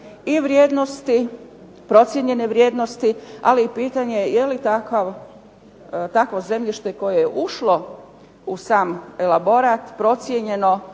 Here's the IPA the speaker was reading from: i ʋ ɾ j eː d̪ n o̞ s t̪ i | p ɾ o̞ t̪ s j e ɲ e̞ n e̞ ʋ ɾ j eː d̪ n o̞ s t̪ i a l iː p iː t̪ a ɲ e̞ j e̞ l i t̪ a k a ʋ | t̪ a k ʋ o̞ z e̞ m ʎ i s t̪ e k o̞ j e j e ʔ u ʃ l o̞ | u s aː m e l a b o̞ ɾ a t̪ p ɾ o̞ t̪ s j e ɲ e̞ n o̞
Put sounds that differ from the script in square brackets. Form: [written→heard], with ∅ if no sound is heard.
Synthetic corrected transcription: i ʋ ɾ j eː d̪ n o̞ s t̪ i | p ɾ o̞ t̪ s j e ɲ e̞ n e̞ ʋ ɾ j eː d̪ n o̞ s t̪ i a l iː p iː t̪ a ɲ e̞ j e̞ l i t̪ a k a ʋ | t̪ a k ʋ o̞ z e̞ m ʎ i [s→ʃ] t̪ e k o̞ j e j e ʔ u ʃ l o̞ | u s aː m e l a b o̞ ɾ a t̪ p ɾ o̞ t̪ s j e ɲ e̞ n o̞